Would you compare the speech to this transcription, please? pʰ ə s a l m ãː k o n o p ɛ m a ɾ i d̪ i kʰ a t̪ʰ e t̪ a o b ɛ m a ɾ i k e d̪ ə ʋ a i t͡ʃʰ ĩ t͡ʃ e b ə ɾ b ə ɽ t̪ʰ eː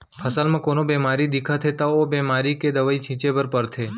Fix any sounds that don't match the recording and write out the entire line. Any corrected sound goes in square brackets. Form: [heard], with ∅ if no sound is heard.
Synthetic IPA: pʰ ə s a l m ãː k o n o [b] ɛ m a ɾ i d̪ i kʰ a t̪ʰ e t̪ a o b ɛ m a ɾ i k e d̪ ə ʋ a i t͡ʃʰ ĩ t͡ʃ e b ə ɾ [p] ə [ɾ] t̪ʰ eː